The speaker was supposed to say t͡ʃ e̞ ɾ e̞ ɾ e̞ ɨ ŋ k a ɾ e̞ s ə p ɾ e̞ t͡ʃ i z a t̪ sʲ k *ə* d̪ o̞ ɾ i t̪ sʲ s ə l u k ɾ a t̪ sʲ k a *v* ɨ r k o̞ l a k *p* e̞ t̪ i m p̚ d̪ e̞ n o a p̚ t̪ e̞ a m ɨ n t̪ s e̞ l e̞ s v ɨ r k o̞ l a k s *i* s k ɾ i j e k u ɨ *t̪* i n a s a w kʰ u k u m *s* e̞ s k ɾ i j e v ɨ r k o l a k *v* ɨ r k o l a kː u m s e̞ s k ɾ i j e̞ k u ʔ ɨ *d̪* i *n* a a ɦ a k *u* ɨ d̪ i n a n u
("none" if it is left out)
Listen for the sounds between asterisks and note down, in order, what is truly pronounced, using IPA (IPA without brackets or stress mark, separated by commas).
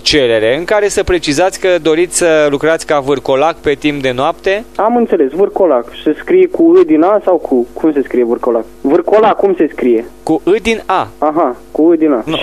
ə, v, p, e, d̪, s, v, d̪, n, u